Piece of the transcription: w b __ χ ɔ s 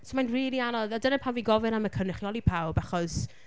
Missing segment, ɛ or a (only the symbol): a